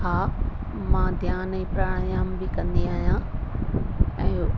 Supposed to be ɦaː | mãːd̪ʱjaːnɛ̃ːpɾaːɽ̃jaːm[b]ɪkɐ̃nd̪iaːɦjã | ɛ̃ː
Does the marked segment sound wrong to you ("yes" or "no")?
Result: no